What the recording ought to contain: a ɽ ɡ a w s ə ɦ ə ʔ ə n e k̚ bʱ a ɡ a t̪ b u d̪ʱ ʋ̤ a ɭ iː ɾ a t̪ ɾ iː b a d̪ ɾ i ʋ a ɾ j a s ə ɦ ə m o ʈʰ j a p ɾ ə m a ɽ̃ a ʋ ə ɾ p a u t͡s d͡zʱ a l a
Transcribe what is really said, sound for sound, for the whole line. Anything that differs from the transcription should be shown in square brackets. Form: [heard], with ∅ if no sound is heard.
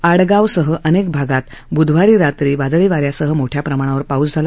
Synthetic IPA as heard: a ɽ ɡ a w s ə ɦ ə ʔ ə n e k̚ bʱ a ɡ a t̪ b u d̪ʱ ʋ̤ a [ɾ] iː ɾ a t̪ ɾ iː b a d̪ [ɭ] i ʋ a ɾ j a s ə ɦ ə m o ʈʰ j a p ɾ ə m a ɽ̃ a ʋ ə ɾ p a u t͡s d͡zʱ a l a